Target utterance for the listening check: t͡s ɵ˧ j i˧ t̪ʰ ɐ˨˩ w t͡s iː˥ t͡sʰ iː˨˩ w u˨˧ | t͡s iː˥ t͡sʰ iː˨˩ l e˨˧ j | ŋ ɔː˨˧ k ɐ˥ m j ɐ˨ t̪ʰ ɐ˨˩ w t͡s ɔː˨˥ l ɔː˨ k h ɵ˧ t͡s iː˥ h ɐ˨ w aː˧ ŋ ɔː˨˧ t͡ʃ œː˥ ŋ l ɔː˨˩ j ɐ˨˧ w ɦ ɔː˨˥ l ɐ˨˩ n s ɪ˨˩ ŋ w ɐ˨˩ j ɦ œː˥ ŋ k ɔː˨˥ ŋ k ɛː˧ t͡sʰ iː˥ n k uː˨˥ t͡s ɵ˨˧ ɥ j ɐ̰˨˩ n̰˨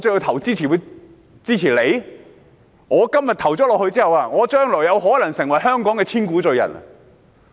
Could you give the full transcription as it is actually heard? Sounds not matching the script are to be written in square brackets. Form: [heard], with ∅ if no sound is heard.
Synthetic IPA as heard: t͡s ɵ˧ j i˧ t̪ʰ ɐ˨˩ w t͡s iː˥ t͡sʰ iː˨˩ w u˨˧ | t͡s iː˥ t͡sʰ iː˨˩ l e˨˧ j | ŋ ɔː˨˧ k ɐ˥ m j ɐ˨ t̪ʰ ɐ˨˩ w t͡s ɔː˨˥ l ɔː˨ k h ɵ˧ t͡s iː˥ h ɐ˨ w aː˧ ŋ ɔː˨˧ t͡ʃ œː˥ ŋ l ɔː˨˩ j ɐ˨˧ w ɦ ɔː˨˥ l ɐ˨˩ [ŋ] s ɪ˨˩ ŋ w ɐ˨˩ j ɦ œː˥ ŋ k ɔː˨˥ ŋ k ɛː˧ t͡sʰ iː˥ n k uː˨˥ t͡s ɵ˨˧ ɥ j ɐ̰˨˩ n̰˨